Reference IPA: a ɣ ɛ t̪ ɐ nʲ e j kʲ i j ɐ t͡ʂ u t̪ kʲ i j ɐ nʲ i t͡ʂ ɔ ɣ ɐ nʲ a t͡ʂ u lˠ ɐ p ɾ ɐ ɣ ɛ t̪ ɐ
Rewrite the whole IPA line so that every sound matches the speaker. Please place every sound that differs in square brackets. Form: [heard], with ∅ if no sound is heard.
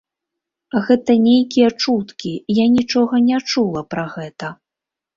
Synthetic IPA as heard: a ɣ ɛ t̪ ɐ nʲ e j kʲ i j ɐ t͡ʂ u t̪ kʲ i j [a] nʲ i t͡ʂ ɔ ɣ ɐ nʲ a t͡ʂ u lˠ ɐ p ɾ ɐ ɣ ɛ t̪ ɐ